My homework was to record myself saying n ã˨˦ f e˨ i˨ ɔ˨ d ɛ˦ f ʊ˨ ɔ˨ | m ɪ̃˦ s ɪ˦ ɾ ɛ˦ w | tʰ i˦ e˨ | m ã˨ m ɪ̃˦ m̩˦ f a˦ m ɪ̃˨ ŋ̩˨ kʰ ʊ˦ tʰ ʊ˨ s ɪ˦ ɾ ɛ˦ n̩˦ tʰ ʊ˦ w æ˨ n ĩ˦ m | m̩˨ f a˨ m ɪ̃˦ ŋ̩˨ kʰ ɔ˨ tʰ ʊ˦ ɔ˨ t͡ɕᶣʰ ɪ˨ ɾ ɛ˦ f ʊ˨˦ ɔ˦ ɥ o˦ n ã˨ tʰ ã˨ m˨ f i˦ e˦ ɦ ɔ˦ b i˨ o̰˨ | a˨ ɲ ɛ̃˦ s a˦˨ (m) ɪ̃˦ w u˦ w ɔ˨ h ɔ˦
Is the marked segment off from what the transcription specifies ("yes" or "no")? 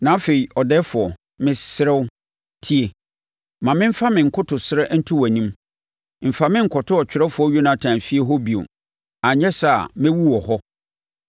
no